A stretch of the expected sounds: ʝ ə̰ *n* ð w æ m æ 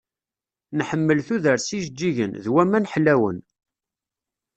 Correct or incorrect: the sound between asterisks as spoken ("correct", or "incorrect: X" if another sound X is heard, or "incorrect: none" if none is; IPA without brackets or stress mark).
correct